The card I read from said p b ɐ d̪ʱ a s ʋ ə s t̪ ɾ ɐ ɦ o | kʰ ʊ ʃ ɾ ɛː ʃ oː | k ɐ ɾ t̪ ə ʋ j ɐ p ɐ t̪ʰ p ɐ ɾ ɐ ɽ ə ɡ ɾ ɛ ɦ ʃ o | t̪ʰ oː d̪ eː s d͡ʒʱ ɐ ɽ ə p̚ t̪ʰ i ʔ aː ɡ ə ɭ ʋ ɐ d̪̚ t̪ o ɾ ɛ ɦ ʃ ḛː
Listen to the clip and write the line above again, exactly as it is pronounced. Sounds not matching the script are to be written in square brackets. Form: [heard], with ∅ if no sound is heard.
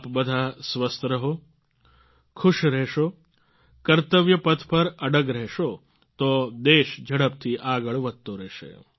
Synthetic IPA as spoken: p b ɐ d̪ʱ a s ʋ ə s t̪ ɾ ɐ ɦ o | kʰ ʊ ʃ ɾ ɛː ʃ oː | k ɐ ɾ t̪ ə ʋ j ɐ p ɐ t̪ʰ p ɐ ɾ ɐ ɽ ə ɡ ɾ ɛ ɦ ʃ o | [t̪] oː d̪ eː [ʃ] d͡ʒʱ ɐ ɽ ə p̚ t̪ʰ i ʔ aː ɡ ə ɭ ʋ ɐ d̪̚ t̪ o ɾ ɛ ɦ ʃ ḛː